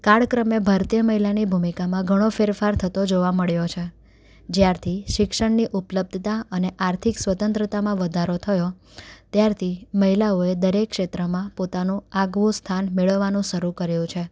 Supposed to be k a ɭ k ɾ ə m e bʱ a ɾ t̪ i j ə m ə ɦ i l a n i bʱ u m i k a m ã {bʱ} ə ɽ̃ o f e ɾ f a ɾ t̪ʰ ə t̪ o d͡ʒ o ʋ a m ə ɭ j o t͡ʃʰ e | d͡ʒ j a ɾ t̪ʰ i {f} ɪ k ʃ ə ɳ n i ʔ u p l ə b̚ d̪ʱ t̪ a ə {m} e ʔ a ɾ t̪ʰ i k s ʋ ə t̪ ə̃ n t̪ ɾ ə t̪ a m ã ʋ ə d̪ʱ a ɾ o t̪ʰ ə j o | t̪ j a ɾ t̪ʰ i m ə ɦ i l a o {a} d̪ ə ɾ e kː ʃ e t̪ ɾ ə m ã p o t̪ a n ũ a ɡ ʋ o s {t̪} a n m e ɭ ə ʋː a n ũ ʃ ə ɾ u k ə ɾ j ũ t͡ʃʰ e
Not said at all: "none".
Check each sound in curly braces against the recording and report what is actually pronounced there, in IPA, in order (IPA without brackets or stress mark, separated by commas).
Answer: ɡʱ, ʃ, n, e, t̪ʰ